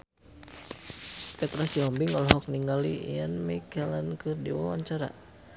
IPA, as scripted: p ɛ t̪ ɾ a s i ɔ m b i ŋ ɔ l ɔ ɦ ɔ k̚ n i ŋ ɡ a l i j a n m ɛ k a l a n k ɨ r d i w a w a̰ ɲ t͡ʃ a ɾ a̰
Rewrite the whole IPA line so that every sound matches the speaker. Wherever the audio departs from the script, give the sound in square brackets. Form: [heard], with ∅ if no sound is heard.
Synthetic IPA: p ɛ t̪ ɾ a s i ɔ m b i ŋ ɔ l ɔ ɦ ɔ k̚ n i ŋ ɡ a l i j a n m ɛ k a l a n k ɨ r d i w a w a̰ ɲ t͡ʃ a ɾ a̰

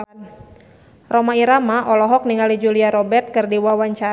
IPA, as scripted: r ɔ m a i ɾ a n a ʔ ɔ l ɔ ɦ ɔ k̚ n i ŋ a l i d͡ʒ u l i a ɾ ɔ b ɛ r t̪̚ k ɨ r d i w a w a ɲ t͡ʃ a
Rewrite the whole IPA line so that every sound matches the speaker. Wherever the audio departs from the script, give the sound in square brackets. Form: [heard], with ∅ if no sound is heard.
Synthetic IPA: r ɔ m a i ɾ a [m] a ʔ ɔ l ɔ ɦ ɔ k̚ n i ŋ a l i d͡ʒ u l i a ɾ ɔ b ɛ r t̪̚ k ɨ r d i w a w a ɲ t͡ʃ a

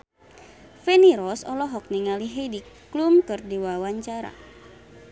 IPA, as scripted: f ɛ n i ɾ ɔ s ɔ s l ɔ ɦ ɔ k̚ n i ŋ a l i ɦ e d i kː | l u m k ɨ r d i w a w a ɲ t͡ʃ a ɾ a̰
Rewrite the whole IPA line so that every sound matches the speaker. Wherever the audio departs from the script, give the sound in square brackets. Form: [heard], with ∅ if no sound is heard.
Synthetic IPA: f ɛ n i ɾ ɔ s ɔ [∅] l ɔ ɦ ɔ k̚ n i ŋ a l i ɦ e d i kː | l u m k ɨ r d i w a w a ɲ t͡ʃ a ɾ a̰

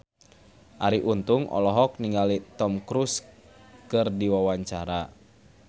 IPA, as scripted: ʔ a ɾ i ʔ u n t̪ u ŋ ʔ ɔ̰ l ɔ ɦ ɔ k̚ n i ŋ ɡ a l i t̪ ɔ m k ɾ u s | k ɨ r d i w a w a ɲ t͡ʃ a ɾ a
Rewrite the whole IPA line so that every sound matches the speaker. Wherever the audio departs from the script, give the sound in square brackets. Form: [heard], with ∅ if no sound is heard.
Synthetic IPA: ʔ a ɾ i ʔ u n t̪ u ŋ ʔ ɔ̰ l ɔ ɦ ɔ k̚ n i ŋ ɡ a l i t̪ ɔ m k ɾ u s | k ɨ r d i w a w a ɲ t͡ʃ a ɾ a

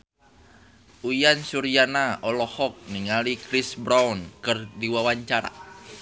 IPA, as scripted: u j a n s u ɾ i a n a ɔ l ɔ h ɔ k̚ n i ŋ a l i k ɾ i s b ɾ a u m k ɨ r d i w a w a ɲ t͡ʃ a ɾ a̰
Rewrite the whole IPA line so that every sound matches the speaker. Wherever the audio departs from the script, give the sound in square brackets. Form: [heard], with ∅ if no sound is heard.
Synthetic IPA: u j a n s u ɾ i a n a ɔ l ɔ h ɔ k̚ n i ŋ a l i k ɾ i s b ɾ a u [n] k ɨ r d i w a w a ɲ t͡ʃ a ɾ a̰

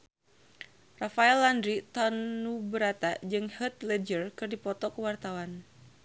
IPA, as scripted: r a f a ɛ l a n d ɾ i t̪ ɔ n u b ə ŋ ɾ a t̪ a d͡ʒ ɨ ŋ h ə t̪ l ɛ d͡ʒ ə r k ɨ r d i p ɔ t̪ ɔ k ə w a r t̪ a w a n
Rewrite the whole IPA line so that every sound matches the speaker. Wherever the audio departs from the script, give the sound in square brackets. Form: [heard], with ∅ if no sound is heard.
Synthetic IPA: r a f a ɛ l a n d ɾ i t̪ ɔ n u b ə [∅] ɾ a t̪ a d͡ʒ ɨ ŋ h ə t̪ l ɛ d͡ʒ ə r k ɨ r d i p ɔ t̪ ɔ k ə w a r t̪ a w a n

